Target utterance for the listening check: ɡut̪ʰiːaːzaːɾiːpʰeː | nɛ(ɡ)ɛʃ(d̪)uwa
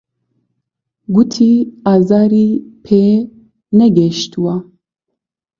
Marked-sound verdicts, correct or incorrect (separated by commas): correct, incorrect